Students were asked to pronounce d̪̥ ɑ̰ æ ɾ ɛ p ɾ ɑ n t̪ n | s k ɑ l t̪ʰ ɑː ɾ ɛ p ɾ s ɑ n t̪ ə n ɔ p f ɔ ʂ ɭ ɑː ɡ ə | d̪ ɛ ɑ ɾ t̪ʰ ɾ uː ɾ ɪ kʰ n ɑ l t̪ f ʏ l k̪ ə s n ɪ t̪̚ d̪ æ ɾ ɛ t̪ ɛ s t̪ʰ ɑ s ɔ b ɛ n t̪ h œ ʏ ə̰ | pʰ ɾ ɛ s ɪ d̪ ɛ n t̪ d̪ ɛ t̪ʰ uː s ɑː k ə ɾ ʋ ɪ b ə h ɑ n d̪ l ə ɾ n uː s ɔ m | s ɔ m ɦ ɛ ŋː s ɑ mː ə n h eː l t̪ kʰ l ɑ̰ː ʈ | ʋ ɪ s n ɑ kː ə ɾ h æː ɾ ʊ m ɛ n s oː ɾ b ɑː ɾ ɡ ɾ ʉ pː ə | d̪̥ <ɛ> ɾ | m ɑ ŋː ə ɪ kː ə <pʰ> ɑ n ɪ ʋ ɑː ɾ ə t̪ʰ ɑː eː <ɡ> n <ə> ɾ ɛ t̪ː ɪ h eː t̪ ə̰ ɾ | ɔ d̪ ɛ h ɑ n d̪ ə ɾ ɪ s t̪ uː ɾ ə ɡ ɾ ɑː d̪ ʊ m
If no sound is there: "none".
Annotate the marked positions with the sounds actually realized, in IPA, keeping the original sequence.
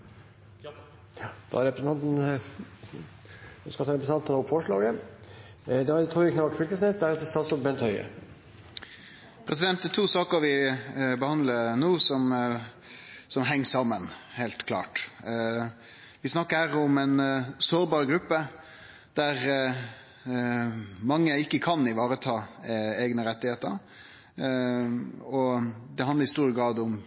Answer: æ, kʰ, ɡ, ə

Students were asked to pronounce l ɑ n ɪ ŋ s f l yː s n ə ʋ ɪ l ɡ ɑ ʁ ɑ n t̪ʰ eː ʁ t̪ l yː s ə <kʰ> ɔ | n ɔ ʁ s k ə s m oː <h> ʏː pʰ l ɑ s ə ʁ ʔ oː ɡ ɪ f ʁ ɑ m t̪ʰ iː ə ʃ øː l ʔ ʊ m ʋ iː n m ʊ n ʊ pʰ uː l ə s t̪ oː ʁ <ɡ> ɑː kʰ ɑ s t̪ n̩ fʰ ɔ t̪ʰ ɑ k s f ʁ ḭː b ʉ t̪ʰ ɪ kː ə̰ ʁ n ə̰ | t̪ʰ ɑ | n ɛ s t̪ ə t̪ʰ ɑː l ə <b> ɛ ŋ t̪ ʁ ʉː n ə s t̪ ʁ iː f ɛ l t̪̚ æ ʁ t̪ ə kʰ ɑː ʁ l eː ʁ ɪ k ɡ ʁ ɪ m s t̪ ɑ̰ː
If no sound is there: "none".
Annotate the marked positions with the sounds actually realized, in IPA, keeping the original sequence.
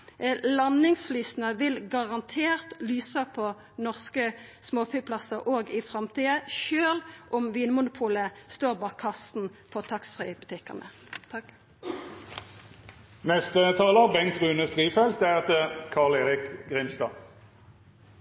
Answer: pʰ, f, b, b

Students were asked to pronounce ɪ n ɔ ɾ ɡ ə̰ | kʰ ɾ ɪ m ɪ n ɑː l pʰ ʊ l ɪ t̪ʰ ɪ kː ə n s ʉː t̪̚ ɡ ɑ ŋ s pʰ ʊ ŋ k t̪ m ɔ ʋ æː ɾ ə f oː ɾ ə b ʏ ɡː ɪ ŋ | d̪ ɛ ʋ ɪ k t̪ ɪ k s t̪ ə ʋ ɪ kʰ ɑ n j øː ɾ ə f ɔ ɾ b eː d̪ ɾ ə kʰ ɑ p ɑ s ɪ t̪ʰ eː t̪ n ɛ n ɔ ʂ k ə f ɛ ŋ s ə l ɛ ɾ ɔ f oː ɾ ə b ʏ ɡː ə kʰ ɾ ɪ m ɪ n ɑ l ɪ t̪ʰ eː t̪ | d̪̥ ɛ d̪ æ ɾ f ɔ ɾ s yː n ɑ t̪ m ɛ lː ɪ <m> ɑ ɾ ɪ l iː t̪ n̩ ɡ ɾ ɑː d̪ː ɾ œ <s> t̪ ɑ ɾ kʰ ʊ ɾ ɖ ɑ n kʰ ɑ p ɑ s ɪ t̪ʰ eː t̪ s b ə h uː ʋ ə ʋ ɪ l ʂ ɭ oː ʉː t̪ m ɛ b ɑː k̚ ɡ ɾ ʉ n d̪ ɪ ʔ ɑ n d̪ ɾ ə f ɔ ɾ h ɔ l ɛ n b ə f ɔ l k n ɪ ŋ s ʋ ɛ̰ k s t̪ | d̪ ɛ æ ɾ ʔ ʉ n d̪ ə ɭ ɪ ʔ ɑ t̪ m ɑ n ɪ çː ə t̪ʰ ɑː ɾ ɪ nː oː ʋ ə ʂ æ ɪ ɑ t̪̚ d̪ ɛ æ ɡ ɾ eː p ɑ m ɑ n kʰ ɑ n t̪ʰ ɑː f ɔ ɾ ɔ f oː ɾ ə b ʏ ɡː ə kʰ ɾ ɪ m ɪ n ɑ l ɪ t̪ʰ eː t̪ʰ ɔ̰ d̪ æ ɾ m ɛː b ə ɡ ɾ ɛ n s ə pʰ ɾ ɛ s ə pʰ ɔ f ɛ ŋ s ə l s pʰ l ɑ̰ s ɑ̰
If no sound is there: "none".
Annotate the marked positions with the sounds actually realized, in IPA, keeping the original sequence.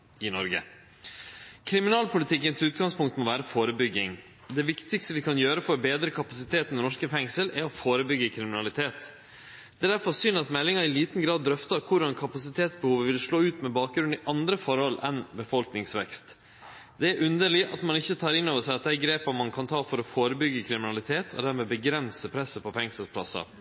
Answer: ŋ, f

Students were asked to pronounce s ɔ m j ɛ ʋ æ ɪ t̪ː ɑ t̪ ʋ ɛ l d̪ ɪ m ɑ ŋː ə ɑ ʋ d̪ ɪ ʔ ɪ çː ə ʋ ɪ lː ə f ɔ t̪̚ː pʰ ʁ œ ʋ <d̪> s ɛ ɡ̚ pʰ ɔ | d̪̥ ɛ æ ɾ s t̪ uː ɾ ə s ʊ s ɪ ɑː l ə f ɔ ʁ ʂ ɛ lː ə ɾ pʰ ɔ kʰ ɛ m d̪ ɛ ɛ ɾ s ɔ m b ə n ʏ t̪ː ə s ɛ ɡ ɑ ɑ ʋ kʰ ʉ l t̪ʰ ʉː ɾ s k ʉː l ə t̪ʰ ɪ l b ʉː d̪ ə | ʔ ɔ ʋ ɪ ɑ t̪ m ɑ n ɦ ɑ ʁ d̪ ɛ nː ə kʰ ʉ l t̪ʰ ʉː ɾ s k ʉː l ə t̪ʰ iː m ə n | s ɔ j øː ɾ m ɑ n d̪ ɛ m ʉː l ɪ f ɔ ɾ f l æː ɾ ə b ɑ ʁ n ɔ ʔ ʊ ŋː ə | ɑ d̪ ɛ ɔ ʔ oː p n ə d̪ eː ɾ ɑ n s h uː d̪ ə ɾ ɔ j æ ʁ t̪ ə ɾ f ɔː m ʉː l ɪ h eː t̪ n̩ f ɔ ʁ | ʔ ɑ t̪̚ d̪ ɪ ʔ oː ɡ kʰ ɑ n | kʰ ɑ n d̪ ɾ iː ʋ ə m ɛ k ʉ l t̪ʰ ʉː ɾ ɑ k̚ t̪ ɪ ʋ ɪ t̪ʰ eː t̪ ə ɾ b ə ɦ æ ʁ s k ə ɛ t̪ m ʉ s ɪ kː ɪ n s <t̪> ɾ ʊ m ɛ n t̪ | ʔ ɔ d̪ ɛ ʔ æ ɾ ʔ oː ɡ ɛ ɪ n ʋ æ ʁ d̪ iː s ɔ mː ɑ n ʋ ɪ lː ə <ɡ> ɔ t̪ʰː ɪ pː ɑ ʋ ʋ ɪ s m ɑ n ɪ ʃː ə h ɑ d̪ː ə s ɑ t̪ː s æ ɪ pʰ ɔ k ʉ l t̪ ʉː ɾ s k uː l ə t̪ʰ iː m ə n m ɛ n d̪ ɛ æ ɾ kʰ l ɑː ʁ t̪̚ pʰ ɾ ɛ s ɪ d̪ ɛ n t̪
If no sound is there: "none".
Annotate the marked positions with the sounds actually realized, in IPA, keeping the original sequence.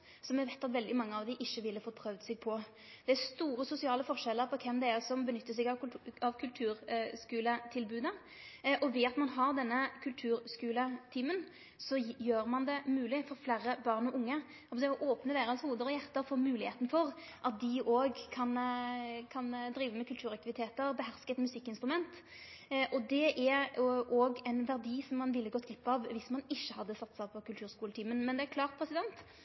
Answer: d̪, t̪, ɡ

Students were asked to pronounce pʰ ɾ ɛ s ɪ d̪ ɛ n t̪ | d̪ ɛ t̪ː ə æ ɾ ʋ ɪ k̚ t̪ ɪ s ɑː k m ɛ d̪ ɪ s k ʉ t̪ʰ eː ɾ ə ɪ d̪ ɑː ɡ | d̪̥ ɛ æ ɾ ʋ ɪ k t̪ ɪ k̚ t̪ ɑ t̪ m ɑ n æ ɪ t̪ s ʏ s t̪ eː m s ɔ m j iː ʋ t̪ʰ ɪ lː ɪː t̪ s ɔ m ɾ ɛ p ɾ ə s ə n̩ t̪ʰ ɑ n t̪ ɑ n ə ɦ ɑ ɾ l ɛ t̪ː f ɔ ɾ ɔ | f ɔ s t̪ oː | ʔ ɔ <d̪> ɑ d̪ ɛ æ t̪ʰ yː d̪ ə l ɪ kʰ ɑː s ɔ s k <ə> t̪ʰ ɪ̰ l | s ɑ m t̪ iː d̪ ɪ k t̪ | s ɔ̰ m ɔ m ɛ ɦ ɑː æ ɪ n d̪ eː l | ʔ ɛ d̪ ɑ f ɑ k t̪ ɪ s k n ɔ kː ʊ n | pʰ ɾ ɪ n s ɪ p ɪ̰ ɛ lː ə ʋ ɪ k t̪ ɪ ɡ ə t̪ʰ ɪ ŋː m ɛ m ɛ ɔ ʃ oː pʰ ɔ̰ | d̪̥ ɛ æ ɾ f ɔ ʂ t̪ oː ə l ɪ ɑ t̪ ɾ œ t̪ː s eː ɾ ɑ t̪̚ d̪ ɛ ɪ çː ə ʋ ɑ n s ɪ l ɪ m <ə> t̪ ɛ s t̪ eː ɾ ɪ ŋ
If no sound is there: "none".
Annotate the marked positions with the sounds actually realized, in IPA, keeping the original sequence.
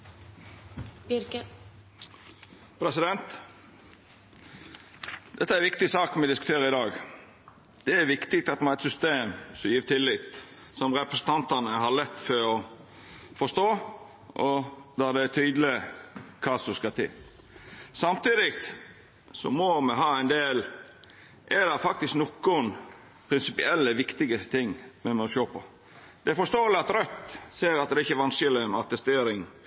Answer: d̪, ɑ, ɑ

